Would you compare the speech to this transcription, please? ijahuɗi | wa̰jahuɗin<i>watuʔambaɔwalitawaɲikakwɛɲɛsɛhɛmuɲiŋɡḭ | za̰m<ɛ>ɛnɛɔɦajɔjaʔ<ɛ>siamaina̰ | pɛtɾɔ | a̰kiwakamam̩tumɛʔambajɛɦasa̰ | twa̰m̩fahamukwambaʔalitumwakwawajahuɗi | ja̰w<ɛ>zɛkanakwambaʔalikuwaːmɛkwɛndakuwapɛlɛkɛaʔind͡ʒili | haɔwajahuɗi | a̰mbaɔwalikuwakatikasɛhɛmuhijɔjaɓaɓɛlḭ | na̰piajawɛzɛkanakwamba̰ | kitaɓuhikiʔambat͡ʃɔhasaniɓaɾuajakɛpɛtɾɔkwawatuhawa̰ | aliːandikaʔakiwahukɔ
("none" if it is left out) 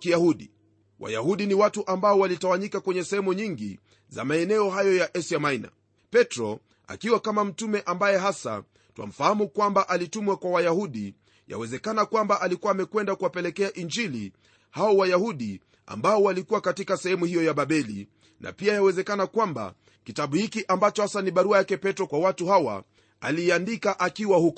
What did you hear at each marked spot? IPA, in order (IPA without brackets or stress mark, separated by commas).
i, a, ɛ, ɛ